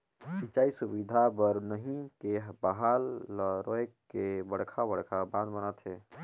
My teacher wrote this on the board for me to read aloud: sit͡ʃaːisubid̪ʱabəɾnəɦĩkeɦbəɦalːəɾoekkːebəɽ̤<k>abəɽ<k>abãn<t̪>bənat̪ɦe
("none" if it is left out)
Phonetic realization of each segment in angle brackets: kʰ, kʰ, d̪

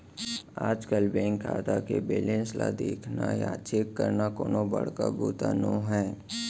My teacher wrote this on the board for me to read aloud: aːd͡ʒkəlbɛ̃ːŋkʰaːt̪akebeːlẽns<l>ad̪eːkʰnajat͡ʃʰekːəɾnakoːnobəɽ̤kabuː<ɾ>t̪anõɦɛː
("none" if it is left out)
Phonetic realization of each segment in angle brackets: l, none

